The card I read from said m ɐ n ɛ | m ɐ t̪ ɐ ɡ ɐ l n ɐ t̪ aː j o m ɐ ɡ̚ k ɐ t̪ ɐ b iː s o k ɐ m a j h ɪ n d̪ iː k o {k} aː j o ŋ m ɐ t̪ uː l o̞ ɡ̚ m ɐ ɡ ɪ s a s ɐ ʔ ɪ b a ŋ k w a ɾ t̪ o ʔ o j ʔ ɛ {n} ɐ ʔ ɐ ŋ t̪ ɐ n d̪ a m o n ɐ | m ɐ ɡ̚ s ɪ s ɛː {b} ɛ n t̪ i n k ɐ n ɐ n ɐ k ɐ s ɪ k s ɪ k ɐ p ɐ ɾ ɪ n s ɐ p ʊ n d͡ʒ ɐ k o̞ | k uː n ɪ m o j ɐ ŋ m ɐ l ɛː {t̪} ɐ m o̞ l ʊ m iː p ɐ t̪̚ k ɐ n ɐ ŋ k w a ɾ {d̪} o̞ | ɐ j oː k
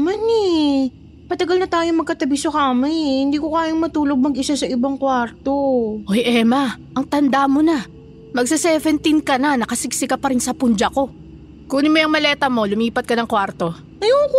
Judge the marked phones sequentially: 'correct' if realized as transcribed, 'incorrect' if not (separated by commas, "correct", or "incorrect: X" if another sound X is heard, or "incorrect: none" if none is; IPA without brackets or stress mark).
correct, incorrect: m, incorrect: v, correct, incorrect: t̪